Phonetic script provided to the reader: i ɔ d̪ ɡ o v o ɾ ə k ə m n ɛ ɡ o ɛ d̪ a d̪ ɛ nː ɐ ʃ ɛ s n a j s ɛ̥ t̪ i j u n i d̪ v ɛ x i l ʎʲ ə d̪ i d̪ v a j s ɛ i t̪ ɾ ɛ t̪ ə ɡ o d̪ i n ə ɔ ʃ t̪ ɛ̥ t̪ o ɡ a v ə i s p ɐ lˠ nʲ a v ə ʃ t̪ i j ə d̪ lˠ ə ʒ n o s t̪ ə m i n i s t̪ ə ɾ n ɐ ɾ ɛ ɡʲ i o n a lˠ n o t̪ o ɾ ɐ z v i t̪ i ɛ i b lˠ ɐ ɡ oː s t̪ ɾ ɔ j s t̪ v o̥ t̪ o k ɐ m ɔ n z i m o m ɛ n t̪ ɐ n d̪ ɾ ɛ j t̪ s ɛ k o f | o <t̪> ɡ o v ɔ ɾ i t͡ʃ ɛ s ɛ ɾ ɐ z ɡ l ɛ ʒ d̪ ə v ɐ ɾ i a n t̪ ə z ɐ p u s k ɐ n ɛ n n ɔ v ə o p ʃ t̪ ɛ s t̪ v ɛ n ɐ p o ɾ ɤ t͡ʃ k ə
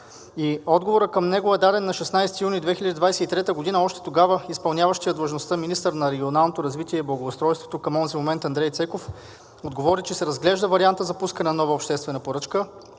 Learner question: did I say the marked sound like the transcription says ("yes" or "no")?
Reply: no